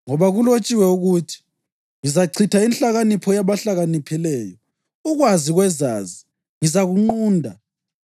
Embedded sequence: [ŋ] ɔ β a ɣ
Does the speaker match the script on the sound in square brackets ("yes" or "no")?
yes